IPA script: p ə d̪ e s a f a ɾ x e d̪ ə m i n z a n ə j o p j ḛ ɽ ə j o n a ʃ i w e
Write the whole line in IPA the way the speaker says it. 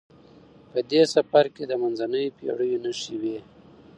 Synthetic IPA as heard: p ə d̪ e s a f a ɾ k e d̪ ə m a n z a n ə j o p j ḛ ɽ ə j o n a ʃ i w e